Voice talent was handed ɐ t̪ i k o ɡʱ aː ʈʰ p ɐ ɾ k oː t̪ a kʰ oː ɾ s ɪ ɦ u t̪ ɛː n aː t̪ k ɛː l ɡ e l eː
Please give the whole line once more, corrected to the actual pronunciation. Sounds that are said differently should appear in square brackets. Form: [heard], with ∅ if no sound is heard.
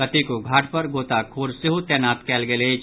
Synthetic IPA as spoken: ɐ t̪ i k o ɡʱ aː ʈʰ p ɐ ɾ [ɡ] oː t̪ a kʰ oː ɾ s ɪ ɦ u t̪ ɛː n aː t̪ k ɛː l ɡ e l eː